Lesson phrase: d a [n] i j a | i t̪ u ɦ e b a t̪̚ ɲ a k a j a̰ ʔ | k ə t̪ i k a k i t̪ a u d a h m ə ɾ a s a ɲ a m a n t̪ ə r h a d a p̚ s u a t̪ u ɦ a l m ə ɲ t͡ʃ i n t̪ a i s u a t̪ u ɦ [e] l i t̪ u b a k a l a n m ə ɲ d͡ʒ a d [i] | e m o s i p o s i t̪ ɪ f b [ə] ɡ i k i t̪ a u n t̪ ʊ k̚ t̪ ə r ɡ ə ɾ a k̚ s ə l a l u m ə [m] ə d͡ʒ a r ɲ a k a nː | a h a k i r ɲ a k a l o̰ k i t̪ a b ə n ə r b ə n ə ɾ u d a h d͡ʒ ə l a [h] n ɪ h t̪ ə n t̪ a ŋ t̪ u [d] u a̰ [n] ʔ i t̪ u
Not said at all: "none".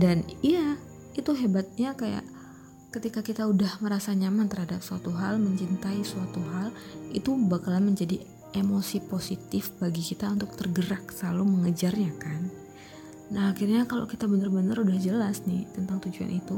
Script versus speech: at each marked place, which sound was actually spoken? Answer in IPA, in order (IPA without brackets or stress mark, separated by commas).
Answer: n, a, i, a, ŋ, s, d͡ʒ, n